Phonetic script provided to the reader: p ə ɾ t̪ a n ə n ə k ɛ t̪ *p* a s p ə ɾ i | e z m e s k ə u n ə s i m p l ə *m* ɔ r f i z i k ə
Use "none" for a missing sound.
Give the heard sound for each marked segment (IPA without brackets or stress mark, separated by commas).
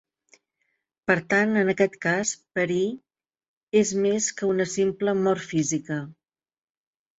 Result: k, m